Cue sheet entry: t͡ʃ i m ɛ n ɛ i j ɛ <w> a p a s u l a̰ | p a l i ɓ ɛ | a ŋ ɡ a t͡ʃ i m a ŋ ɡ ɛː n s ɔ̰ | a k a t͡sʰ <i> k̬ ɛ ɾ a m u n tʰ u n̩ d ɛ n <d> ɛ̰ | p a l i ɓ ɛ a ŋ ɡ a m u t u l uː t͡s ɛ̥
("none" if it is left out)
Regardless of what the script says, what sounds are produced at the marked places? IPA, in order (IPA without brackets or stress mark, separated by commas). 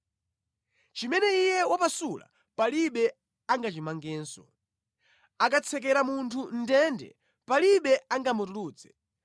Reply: w, ɛ, d